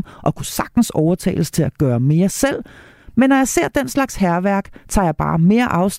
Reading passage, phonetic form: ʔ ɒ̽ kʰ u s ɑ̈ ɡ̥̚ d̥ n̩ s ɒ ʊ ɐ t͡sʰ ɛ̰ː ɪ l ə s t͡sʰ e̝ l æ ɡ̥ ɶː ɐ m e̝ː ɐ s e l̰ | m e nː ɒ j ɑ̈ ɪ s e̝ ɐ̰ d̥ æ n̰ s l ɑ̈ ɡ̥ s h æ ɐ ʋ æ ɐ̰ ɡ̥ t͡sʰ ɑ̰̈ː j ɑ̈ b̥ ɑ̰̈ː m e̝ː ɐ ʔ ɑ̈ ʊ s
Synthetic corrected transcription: ʔ ɒ̽ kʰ u s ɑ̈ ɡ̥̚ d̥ n̩ s ɒ ʊ ɐ t͡sʰ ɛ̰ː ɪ l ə s t͡sʰ e̝ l æ ɡ̥ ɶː ɐ m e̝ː ɐ s e l̰ | m e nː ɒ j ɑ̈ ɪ s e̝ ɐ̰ d̥ e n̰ s l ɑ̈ ɡ̥ s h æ ɐ ʋ æ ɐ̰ ɡ̥ t͡sʰ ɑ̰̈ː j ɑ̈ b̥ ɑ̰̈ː m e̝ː ɐ ʔ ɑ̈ ʊ s